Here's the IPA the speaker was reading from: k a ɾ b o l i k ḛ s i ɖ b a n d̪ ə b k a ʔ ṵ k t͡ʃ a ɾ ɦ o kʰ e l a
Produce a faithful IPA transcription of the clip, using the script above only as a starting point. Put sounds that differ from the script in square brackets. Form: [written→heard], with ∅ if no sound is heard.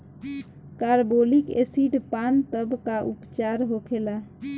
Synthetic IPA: k a ɾ b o l i k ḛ s i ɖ [b→p] a n [d̪→t̪] ə b k a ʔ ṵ [k→p] t͡ʃ a ɾ ɦ o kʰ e l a